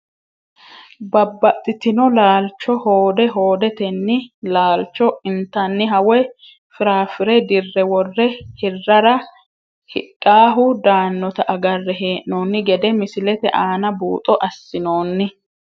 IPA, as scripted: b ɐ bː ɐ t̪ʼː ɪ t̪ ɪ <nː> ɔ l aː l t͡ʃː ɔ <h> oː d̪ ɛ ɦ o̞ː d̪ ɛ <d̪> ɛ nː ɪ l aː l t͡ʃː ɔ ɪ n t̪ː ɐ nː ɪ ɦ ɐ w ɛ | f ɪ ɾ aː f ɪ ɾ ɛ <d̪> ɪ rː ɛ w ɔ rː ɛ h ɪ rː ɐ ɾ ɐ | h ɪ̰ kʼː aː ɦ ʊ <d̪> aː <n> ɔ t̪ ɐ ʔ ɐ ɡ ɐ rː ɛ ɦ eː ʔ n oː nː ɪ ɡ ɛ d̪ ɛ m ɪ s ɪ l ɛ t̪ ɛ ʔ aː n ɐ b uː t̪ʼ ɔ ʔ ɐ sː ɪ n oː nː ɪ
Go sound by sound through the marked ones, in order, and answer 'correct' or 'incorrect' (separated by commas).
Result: incorrect, correct, incorrect, correct, correct, incorrect